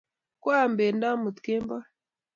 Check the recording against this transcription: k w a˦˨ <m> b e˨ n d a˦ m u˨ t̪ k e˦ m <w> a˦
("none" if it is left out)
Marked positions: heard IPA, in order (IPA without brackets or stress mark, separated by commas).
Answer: m, b